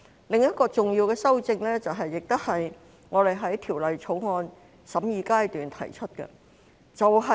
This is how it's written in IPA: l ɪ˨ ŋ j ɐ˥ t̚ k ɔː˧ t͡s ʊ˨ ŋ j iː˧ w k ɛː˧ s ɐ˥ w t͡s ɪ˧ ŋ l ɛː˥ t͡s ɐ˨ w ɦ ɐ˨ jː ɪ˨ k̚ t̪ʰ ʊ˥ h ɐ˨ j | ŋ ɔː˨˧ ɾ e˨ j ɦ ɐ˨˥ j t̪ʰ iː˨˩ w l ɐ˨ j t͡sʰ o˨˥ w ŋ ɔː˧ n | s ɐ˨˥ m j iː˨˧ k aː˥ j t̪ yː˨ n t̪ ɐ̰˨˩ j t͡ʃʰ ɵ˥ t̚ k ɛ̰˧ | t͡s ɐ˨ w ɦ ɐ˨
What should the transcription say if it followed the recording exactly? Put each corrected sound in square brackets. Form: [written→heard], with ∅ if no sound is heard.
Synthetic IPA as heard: l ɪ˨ ŋ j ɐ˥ t̚ k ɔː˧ t͡s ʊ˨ ŋ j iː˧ w k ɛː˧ s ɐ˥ w t͡s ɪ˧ ŋ l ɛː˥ t͡s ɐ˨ w ɦ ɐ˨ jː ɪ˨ k̚ [t̪ʰ→t̪] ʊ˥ h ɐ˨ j | ŋ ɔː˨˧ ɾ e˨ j ɦ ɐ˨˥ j t̪ʰ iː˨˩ w l ɐ˨ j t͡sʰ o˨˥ w ŋ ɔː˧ n | s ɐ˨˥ m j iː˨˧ k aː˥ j t̪ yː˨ n [t̪→t̪ʰ] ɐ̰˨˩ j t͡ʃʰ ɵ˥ t̚ k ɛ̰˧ | t͡s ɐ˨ w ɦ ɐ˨